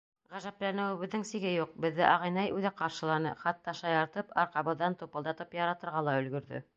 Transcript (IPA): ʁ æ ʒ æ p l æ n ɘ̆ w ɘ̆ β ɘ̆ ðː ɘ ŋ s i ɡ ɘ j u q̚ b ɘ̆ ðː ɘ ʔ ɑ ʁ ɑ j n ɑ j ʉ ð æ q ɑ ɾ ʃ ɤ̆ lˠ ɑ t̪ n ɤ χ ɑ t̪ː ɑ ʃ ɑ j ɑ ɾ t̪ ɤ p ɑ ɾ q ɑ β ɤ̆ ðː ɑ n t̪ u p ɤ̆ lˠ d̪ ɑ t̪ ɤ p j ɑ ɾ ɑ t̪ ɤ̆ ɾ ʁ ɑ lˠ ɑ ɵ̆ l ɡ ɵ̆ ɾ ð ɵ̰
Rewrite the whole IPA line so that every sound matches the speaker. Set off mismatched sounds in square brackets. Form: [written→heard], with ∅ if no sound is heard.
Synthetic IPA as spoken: ʁ æ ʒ æ p l æ n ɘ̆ w ɘ̆ β ɘ̆ ðː ɘ ŋ s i ɡ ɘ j u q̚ b ɘ̆ ðː ɘ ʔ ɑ ʁ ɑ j n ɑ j ʉ ð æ q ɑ ɾ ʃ ɤ̆ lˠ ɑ [t̪→∅] n ɤ χ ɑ t̪ː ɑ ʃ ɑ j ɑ ɾ t̪ ɤ p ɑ ɾ q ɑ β ɤ̆ ðː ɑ n t̪ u p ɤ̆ lˠ d̪ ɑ t̪ ɤ p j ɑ ɾ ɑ t̪ ɤ̆ ɾ ʁ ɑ lˠ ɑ ɵ̆ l ɡ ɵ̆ ɾ ð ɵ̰